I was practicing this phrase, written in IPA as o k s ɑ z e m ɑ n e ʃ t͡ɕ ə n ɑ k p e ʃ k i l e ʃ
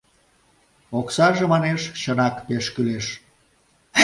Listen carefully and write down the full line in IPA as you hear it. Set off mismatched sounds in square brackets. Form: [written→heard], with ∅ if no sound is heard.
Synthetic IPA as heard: o k s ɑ [z→ʒ] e m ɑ n e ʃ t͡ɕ ə n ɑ k p e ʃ k [i→y] l e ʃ